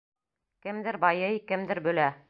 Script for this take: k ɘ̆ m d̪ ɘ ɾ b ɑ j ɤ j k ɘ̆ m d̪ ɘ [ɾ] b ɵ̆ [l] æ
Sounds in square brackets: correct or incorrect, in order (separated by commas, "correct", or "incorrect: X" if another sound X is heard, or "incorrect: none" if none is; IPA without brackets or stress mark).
correct, correct